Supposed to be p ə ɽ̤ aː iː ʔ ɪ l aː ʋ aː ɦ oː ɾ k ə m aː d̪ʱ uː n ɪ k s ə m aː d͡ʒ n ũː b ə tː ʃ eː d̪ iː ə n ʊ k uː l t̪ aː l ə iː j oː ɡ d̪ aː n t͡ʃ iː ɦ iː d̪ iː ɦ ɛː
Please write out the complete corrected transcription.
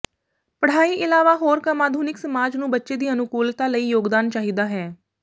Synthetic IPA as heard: p ə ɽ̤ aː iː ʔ ɪ l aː ʋ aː ɦ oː ɾ k ə m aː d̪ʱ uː n ɪ k s ə m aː d͡ʒ n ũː b ə tː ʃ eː d̪ iː ə n ʊ k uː l t̪ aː l ə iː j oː ɡ d̪ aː n t͡ʃ aː ɦ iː d̪ aː ɦ ɛː